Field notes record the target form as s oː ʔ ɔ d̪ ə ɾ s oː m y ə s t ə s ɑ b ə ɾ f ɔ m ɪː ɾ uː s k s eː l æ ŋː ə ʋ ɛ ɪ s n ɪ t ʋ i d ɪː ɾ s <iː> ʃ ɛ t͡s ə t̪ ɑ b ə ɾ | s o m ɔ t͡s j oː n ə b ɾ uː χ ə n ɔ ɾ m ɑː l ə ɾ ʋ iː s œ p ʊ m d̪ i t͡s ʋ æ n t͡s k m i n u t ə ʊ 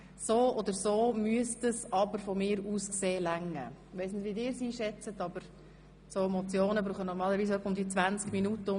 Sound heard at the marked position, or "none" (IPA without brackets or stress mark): iː